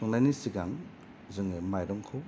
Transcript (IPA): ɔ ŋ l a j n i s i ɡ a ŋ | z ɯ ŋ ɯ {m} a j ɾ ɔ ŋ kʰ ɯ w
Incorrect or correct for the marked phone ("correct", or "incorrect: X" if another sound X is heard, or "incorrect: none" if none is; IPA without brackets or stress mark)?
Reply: correct